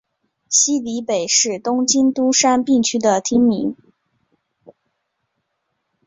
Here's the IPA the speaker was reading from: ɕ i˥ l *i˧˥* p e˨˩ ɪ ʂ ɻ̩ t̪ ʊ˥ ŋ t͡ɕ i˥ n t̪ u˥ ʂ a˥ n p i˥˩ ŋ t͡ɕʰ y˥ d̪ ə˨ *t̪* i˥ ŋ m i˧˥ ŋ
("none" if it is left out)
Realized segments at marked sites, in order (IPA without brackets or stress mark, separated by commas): i˧˥, t̪ʰ